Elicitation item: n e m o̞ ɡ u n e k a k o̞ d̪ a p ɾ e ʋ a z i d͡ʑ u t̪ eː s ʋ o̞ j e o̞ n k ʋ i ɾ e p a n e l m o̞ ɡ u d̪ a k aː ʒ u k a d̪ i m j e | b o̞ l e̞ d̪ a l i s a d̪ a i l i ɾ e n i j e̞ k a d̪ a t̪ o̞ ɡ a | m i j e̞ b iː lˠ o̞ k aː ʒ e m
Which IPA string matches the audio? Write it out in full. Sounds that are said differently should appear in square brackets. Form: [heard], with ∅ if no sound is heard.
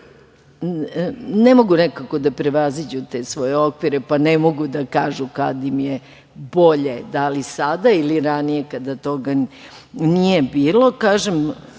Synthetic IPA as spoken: n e m o̞ ɡ u n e k a k o̞ d̪ a p ɾ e ʋ a z i d͡ʑ u t̪ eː s ʋ o̞ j e o̞ [∅] k ʋ i ɾ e p a n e [∅] m o̞ ɡ u d̪ a k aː ʒ u k a d̪ i m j e | b o̞ [ʎ] e̞ d̪ a l i s a d̪ a i l i ɾ [a] n i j e̞ k a d̪ a t̪ o̞ ɡ a | [n] i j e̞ b iː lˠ o̞ k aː ʒ e m

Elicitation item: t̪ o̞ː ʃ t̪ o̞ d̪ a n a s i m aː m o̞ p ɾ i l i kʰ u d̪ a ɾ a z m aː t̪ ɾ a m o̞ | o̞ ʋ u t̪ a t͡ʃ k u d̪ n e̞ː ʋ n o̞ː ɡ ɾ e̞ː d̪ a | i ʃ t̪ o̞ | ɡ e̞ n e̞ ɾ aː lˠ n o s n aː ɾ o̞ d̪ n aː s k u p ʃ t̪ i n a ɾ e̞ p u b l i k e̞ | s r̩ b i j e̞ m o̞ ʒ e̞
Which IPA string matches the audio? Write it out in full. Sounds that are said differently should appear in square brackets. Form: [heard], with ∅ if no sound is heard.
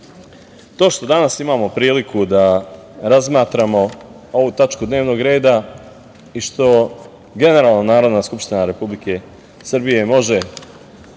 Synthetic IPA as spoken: t̪ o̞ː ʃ t̪ o̞ d̪ a n a s i m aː m o̞ p ɾ [iː] l i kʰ u d̪ a ɾ a z m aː t̪ ɾ a m o̞ | o̞ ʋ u t̪ a t͡ʃ k u d̪ n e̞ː ʋ n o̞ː ɡ ɾ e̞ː d̪ a | i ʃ t̪ o̞ | ɡ e̞ n e̞ ɾ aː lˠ n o [∅] n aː ɾ o̞ d̪ n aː s k u p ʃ t̪ i n a ɾ e̞ p u b l i k e̞ | s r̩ b i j e̞ m o̞ ʒ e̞

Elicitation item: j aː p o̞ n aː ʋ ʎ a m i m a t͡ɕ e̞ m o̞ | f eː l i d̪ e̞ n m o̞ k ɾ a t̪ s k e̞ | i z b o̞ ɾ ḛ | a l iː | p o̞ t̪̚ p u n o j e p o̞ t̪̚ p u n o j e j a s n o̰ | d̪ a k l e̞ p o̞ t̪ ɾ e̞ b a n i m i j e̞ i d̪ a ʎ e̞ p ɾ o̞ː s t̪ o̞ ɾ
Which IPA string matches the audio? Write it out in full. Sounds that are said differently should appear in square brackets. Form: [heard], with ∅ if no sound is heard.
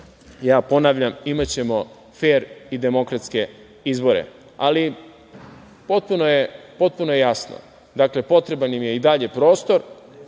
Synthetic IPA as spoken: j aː p o̞ n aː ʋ ʎ a m i m a t͡ɕ e̞ m o̞ | f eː [ɾ] i d̪ e̞ [∅] m o̞ k ɾ a t̪ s k e̞ | i z b o̞ ɾ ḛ | a l [i] | p o̞ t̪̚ p u n o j e p o̞ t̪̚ p u n o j e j a s n o̰ | d̪ a k l e̞ p o̞ t̪ ɾ e̞ b a n i m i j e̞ i d̪ a ʎ e̞ p ɾ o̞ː s t̪ o̞ ɾ

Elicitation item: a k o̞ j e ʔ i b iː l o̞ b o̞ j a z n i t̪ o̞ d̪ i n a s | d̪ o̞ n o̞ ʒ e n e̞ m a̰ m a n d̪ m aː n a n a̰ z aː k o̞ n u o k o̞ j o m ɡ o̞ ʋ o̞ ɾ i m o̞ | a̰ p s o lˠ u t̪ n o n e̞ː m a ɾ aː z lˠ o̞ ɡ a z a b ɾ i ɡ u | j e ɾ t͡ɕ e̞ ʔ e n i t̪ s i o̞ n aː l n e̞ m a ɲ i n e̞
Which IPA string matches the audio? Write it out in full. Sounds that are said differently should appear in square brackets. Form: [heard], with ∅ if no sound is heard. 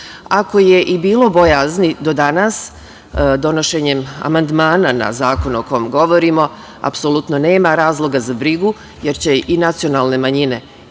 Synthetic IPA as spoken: a k o̞ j e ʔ i b iː l o̞ b o̞ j a z n i [d̪] o̞ d̪ [a] n a s | d̪ o̞ n o̞ [ʃ] e [ɲ] e̞ m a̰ m a n d̪ m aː n a n a̰ z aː k o̞ n u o k o̞ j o m ɡ o̞ ʋ o̞ ɾ i m o̞ | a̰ p s o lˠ u t̪ n o n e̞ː m a ɾ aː z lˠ o̞ ɡ a z a b ɾ i ɡ u | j e ɾ t͡ɕ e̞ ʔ [i] n [a] t̪ s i o̞ n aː l n e̞ m a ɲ i n e̞

